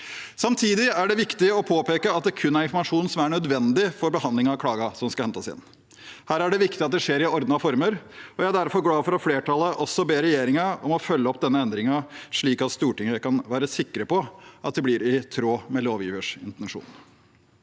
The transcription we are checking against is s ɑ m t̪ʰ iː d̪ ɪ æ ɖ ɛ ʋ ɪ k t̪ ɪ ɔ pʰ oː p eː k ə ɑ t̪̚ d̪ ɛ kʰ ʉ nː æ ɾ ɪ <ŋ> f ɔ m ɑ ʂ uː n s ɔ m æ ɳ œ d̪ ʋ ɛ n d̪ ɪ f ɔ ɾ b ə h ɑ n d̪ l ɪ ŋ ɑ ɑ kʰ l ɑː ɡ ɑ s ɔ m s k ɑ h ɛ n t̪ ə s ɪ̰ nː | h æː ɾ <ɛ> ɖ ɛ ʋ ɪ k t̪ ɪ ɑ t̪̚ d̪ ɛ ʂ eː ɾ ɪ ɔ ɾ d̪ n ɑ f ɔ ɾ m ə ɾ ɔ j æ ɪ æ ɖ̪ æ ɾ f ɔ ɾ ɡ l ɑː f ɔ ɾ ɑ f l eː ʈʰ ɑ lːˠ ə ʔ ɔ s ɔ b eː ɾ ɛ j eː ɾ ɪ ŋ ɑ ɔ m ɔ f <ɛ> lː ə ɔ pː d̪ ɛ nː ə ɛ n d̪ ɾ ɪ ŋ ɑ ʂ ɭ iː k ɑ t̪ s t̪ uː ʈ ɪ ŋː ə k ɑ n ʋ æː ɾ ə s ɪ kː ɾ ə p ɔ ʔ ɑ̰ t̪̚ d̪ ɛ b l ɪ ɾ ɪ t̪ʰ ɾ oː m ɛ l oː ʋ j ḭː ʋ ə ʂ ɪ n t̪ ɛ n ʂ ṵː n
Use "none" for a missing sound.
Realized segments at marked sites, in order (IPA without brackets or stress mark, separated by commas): n, æ, œ